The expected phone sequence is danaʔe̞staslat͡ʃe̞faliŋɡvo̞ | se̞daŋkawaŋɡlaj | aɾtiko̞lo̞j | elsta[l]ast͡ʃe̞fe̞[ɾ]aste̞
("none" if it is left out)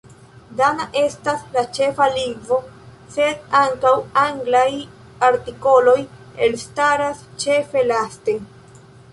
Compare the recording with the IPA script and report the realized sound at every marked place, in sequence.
ɾ, l

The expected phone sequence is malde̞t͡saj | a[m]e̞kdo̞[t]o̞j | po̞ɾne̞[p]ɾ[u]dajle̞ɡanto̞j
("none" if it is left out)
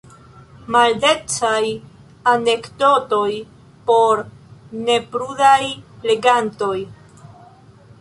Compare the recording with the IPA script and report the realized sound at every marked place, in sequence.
n, t, p, u

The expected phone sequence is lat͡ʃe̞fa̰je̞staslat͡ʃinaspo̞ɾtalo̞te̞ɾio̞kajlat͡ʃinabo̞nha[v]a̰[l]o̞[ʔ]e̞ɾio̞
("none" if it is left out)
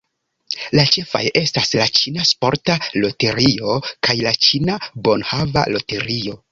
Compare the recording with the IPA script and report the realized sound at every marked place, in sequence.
v, l, t

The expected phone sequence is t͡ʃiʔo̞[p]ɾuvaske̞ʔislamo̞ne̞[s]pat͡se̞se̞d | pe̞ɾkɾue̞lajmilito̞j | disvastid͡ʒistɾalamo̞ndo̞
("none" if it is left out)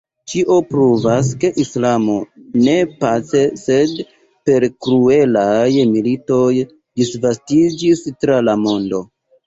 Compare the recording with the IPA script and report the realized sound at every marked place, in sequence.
p, none

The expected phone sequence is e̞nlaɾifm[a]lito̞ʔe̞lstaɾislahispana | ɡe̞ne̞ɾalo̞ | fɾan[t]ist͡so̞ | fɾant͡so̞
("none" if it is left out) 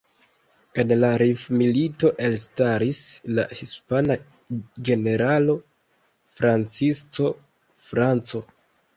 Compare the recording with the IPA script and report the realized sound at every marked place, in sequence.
i, t͡s

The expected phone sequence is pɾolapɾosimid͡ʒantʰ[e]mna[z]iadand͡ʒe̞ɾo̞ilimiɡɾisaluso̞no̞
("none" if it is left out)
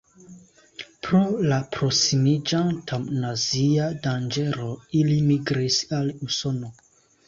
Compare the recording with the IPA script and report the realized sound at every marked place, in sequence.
a, z

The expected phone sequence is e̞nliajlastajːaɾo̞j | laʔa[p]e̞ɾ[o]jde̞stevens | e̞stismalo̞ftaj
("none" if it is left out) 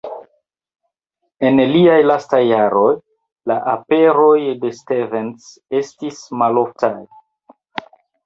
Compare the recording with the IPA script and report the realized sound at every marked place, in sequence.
p, o

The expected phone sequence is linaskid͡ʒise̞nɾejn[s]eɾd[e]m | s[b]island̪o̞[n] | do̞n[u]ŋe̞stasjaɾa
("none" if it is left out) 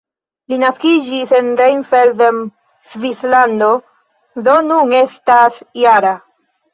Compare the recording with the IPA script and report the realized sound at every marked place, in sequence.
f, e, v, none, u

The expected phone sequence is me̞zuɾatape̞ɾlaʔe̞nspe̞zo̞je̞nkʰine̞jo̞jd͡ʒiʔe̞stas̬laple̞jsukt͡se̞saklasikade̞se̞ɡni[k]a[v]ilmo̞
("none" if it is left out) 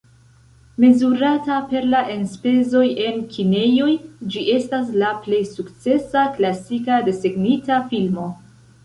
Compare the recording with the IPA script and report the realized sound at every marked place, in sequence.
t, f

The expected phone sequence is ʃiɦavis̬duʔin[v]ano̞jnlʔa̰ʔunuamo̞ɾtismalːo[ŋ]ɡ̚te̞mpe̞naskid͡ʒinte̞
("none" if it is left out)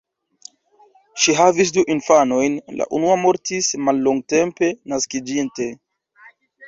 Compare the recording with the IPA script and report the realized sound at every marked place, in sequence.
f, ŋ

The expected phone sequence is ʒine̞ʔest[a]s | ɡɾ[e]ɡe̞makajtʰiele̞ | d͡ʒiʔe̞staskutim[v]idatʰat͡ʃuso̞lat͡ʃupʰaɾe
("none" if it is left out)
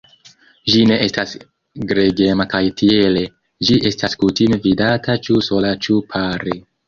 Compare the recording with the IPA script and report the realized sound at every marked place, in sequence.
a, e, v

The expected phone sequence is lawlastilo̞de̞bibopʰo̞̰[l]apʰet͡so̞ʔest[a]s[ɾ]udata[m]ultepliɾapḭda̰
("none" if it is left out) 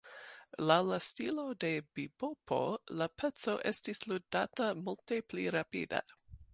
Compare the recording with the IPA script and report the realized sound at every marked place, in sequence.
l, i, l, m

